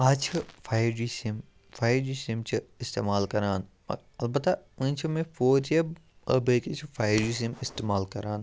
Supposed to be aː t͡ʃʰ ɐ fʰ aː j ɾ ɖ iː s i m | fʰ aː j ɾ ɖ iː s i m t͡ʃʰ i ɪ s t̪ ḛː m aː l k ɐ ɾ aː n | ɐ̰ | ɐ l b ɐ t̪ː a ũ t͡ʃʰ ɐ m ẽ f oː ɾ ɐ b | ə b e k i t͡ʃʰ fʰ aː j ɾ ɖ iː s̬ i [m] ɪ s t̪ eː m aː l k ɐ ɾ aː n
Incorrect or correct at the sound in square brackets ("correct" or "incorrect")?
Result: correct